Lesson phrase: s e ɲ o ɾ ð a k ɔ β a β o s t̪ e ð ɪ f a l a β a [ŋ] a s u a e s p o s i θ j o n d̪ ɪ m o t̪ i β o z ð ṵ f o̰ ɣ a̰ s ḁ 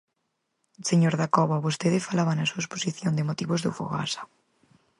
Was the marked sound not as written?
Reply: yes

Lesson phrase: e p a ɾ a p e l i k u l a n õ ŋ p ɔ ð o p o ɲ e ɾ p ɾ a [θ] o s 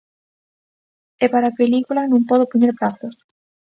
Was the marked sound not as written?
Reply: no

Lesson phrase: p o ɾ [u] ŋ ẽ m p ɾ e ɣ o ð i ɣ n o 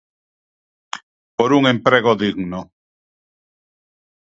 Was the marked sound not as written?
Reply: no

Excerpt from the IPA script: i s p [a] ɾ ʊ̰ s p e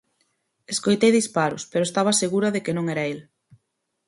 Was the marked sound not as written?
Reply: no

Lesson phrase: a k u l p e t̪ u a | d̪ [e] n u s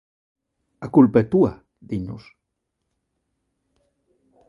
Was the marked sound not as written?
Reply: yes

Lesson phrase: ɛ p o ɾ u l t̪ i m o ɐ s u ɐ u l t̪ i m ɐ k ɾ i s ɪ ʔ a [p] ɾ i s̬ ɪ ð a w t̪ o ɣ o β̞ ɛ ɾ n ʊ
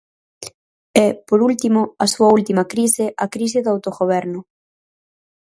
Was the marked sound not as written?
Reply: yes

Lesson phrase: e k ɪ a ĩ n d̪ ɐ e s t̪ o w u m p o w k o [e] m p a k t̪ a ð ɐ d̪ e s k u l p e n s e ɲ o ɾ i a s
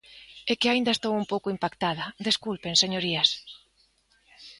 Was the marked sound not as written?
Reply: yes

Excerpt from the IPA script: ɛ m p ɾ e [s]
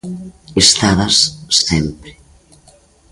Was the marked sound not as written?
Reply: yes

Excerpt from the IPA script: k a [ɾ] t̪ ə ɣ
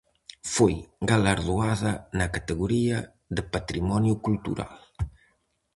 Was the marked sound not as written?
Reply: yes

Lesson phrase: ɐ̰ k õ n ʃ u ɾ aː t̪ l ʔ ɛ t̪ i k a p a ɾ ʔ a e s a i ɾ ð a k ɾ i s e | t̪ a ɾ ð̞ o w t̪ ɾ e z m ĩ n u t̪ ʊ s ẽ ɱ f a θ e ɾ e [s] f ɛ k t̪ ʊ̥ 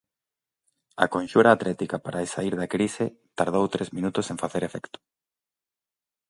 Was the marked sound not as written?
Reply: yes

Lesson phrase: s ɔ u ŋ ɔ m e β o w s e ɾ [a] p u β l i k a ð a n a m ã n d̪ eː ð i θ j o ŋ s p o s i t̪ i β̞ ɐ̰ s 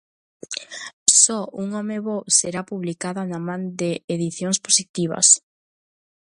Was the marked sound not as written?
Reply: no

